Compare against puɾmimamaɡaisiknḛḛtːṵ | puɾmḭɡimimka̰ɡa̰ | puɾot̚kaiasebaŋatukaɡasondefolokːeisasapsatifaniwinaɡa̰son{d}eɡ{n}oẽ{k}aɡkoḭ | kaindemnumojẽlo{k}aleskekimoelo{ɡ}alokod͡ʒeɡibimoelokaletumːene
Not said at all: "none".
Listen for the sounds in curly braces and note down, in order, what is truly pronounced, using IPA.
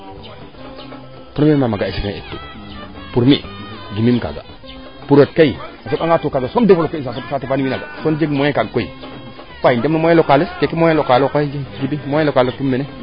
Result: d͡ʒ, m, k, k, k

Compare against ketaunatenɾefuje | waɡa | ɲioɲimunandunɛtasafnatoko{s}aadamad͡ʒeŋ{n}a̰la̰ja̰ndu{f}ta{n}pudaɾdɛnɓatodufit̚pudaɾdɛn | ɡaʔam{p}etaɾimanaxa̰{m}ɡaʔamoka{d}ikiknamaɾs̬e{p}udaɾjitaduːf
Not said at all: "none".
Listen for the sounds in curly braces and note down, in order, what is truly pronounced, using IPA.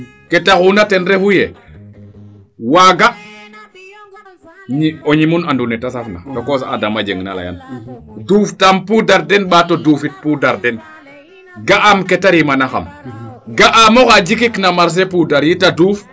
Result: s, n, f, m, k, m, d͡ʒ, p

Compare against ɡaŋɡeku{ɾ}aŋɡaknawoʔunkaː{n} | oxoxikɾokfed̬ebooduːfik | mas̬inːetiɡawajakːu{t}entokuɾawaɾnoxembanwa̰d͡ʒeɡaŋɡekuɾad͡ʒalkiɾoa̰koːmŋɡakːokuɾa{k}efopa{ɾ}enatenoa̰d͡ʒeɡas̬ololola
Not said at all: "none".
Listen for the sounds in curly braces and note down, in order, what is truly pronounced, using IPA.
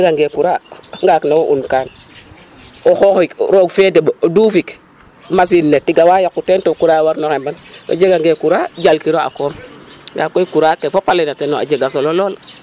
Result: ɾ, n, t, k, l

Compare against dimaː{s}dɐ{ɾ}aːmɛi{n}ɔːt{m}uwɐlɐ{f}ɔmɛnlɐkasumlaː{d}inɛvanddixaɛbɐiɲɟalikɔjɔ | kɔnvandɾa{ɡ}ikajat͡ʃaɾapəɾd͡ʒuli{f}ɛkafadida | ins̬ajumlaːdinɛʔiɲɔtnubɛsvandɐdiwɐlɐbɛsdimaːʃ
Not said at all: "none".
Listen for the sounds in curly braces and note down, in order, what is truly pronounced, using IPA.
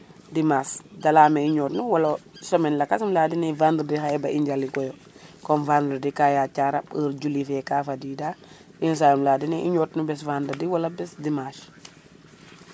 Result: s, l, ɲ, n, s, d, d, f

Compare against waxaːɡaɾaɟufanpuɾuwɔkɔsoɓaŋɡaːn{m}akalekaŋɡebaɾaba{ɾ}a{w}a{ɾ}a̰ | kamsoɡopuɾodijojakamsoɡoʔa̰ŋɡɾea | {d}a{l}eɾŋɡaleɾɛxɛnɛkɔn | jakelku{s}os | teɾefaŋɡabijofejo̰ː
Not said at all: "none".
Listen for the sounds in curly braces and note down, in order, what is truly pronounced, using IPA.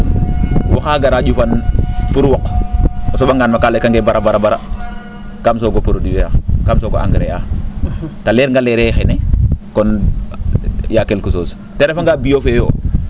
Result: m, ɾ, b, ɾ, t, l, s

